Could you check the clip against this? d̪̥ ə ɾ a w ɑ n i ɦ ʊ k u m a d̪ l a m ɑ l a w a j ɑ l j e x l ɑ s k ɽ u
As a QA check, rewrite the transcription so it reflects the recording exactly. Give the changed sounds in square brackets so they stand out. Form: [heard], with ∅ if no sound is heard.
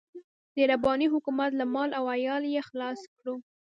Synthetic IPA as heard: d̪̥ ə ɾ a [b] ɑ n i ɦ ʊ k u m a [t̪] l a m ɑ l a w a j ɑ l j e x l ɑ s k ɽ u